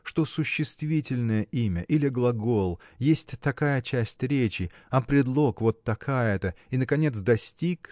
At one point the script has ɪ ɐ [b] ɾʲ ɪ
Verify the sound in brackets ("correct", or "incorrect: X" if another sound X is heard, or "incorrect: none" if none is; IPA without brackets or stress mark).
incorrect: p